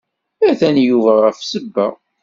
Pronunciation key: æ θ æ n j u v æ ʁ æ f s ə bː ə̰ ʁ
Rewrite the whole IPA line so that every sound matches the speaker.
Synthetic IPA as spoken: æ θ æ n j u v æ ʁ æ f s ə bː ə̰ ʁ